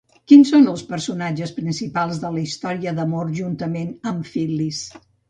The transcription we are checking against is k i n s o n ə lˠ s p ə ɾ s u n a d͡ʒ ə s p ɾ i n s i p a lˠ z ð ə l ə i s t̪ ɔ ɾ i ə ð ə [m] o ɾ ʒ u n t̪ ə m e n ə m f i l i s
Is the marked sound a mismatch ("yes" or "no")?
no